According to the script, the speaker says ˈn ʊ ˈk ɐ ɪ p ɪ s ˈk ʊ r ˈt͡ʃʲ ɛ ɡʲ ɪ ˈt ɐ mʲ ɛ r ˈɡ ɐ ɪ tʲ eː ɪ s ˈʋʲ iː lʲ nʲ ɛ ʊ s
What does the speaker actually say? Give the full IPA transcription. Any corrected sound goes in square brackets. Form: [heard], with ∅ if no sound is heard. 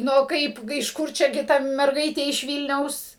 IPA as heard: ˈn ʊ ˈk ɐ ɪ p ɪ [ʃ] ˈk ʊ r ˈt͡ʃʲ ɛ ɡʲ ɪ ˈt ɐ mʲ ɛ r ˈɡ ɐ ɪ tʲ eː ɪ [ʃ] ˈʋʲ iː lʲ nʲ ɛ ʊ s